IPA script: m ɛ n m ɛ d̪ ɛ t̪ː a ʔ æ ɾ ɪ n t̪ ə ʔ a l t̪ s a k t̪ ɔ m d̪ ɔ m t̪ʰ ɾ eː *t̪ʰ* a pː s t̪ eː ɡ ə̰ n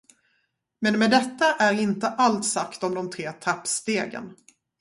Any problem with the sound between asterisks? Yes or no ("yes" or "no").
no